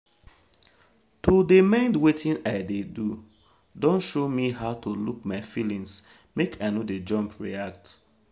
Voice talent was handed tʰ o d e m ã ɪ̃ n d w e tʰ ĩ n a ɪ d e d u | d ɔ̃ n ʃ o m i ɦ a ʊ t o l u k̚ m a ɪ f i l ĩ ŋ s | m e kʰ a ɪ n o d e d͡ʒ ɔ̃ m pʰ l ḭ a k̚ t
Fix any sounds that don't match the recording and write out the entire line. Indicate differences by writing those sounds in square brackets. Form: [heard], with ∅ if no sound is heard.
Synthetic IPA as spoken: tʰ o d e m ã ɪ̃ n d w e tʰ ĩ n a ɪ d e d u | d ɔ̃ n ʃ o m i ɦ a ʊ t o l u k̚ m a ɪ f i l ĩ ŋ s | m e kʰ a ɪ n o d e d͡ʒ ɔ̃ m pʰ [ɹ] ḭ a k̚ t